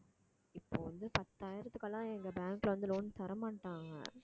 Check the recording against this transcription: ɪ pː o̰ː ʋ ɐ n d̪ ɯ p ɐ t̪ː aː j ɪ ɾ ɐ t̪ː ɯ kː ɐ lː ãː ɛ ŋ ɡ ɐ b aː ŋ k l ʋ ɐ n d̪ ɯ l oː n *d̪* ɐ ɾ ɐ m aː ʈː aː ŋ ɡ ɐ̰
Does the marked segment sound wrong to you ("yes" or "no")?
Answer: yes